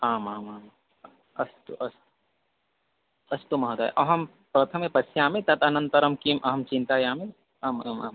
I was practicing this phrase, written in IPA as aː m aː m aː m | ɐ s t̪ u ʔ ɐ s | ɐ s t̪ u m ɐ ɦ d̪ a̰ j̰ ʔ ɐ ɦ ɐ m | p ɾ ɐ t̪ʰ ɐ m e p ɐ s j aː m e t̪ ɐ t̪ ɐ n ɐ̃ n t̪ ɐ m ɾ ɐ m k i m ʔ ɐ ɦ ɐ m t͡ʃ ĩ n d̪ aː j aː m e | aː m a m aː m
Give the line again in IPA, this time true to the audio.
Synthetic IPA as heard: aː m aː m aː m | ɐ s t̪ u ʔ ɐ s | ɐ s t̪ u m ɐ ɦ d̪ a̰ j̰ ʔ ɐ ɦ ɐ m | p ɾ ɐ t̪ʰ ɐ m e p ɐ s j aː m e t̪ ɐ t̪ ɐ n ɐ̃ n t̪ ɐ ɾ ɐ m k i m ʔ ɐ ɦ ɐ m t͡ʃ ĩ n t̪ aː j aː m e | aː m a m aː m